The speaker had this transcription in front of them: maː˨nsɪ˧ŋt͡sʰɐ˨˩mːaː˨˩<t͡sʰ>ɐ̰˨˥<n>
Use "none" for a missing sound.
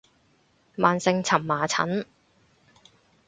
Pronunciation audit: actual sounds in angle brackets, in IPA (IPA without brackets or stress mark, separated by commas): t͡sʰ, n